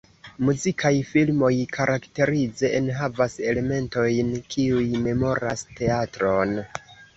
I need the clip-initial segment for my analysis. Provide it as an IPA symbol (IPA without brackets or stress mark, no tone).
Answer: m